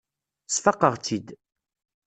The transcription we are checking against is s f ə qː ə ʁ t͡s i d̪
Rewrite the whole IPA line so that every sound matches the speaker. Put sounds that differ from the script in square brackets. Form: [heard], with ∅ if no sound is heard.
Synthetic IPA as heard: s f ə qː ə ʁ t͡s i d̪